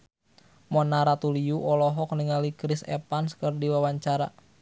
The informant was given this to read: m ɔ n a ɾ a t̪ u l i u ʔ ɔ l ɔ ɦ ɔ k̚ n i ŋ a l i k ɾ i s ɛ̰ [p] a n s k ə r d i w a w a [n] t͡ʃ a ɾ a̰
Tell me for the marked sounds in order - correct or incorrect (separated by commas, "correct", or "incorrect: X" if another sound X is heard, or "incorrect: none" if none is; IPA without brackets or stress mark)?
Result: correct, incorrect: ɲ